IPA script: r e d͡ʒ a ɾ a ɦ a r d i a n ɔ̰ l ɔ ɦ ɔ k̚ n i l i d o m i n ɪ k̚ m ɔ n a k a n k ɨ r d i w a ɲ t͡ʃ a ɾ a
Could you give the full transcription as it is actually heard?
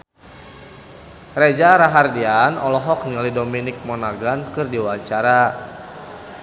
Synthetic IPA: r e d͡ʒ a ɾ a ɦ a r d i a n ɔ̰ l ɔ ɦ ɔ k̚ n i l i d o m i n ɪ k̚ m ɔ n a ɡ a n k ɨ r d i w a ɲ t͡ʃ a ɾ a

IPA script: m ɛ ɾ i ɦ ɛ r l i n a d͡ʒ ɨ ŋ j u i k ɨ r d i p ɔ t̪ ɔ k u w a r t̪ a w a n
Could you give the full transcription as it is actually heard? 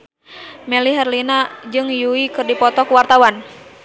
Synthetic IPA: m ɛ l i ɦ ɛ r l i n a d͡ʒ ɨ ŋ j u i k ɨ r d i p ɔ t̪ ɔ k u w a r t̪ a w a n

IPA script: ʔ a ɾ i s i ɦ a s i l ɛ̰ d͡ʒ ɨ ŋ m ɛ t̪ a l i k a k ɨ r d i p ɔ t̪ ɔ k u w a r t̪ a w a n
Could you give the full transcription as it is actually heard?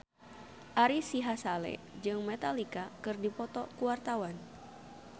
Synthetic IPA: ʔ a ɾ i s i ɦ a s a l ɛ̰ d͡ʒ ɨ ŋ m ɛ t̪ a l i k a k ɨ r d i p ɔ t̪ ɔ k u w a r t̪ a w a n

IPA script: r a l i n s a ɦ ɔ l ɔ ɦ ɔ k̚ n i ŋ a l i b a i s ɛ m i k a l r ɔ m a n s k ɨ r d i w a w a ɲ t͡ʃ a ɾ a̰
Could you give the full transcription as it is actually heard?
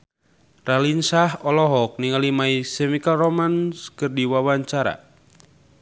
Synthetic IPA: r a l i n s a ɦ ɔ l ɔ ɦ ɔ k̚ n i ŋ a l i m a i s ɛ m i k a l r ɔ m a n s k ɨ r d i w a w a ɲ t͡ʃ a ɾ a̰

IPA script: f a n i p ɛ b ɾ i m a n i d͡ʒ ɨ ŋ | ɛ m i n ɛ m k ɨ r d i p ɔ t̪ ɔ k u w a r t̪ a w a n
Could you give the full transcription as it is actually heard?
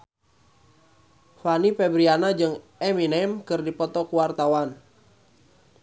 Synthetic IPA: f a n i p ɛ b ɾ i a n a d͡ʒ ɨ ŋ | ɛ m i n ɛ m k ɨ r d i p ɔ t̪ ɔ k u w a r t̪ a w a n

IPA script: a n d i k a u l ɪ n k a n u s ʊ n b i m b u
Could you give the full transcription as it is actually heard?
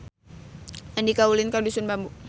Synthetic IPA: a n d i k a u l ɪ n k a d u s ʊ n b a m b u

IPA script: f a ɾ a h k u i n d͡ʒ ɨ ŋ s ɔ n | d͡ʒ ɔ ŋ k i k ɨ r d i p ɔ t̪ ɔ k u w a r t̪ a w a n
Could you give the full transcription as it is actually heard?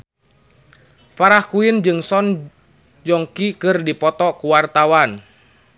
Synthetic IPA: f a ɾ a h k u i n d͡ʒ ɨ ŋ s ɔ n | d͡ʒ ɔ ŋ k i k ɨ r d i p ɔ t̪ ɔ k u w a r t̪ a w a n

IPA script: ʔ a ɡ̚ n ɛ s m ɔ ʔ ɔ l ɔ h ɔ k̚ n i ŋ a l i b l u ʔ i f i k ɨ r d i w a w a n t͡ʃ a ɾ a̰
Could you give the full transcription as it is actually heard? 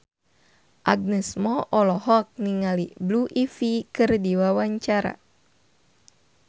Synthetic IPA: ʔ a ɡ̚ n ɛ s m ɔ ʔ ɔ l ɔ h ɔ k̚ n i ŋ a l i b l u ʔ i f i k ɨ r d i w a w a ɲ t͡ʃ a ɾ a̰

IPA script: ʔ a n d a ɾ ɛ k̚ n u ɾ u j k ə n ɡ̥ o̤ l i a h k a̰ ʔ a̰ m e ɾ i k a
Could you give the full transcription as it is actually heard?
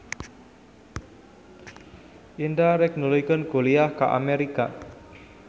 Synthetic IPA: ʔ i n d a ɾ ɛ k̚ n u l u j k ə n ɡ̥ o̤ l i a h k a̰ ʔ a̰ m e ɾ i k a

